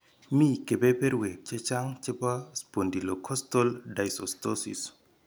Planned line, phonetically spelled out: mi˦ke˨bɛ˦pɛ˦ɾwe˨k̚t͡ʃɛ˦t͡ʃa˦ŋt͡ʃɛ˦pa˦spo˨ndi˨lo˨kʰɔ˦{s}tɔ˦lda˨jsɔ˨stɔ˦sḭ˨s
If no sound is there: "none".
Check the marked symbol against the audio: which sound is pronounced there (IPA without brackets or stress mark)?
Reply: s